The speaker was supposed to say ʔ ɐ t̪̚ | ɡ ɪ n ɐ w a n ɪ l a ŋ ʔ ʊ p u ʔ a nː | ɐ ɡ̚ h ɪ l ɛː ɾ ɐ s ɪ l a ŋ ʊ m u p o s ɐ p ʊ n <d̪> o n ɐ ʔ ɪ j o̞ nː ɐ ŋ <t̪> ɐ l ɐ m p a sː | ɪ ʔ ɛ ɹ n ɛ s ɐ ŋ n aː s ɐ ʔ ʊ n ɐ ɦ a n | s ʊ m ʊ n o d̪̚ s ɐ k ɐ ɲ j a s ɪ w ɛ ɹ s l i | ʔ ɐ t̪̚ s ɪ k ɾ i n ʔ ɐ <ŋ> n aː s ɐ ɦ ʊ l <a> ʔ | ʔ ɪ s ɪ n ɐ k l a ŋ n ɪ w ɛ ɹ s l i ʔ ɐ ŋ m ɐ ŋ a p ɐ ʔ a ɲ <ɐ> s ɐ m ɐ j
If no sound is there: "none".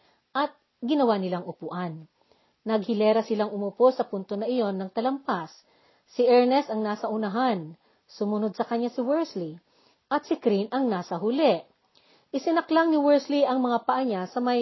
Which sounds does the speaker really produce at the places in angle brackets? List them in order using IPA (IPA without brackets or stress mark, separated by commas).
t̪, t̪, ŋ, ɛ, a